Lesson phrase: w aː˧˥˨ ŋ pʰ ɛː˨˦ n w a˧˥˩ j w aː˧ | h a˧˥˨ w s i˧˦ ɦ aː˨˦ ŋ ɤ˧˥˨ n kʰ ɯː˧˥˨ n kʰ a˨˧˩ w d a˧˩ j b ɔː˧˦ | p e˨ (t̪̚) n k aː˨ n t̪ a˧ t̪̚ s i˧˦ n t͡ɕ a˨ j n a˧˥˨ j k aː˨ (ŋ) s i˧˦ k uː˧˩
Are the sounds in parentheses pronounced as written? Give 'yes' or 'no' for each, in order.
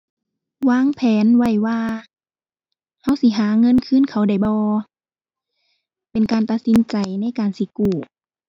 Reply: no, no

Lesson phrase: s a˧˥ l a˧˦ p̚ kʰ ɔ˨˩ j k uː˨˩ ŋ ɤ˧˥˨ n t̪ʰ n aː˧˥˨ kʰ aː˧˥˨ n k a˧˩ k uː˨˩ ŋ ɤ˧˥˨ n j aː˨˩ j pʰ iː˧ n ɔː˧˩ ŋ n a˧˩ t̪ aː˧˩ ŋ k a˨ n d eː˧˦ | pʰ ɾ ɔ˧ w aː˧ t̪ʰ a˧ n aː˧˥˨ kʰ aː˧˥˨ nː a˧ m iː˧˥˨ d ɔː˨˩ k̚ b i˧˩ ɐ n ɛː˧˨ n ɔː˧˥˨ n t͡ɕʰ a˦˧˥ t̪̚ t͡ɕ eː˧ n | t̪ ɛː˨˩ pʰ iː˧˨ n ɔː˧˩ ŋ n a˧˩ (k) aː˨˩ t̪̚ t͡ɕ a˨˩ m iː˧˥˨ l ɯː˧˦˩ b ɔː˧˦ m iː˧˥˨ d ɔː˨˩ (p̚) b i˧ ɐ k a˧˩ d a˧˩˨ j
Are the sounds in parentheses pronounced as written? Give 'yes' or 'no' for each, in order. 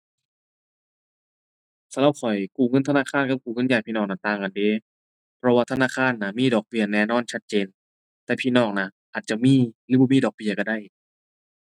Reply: no, no

